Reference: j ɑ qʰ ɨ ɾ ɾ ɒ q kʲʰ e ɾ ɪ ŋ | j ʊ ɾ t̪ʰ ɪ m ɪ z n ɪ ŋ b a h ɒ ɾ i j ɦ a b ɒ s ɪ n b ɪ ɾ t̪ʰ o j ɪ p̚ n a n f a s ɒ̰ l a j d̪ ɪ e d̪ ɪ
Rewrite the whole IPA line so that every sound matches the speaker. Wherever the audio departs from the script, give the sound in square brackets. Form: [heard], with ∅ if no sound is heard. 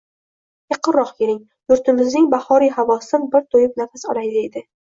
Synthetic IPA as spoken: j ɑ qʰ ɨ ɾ ɾ ɒ q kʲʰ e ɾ ɪ ŋ | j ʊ ɾ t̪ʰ ɪ m ɪ z n ɪ ŋ b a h ɒ ɾ i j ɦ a [v] ɒ s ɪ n b ɪ ɾ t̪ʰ o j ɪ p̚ n a [∅] f a s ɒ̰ l a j d̪ ɪ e d̪ ɪ